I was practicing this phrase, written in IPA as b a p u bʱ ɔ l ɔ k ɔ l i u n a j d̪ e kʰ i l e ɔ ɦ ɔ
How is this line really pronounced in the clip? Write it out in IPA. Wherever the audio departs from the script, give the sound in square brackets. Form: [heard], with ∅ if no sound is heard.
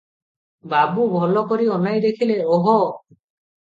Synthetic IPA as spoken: b a [b] u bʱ ɔ l ɔ k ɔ [ɾ] i [ɔ] n a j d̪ e kʰ i l e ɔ ɦ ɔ